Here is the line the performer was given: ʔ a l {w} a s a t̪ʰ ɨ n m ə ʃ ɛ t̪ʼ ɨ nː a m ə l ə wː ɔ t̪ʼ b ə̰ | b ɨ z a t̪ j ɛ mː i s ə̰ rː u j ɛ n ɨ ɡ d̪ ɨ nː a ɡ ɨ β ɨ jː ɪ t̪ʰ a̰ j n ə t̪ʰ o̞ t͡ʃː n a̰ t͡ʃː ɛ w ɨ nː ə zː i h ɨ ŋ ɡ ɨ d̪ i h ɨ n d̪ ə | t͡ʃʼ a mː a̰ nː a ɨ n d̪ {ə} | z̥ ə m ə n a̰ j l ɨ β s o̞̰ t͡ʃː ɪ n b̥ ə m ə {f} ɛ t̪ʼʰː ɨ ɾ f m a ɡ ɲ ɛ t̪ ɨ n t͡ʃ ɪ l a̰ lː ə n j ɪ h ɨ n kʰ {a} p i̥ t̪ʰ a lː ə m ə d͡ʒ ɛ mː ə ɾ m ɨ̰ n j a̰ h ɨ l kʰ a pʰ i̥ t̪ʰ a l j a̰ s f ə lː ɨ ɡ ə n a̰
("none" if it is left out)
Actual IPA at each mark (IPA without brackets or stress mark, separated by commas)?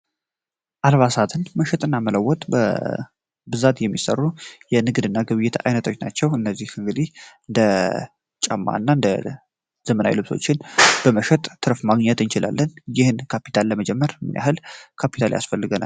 β, ə, ʃ, a